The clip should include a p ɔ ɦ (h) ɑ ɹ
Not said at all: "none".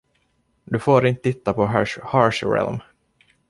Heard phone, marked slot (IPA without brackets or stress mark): h